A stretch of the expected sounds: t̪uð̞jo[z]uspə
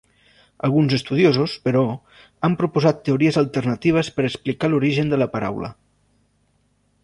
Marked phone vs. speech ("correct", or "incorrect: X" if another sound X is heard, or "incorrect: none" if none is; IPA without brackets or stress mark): correct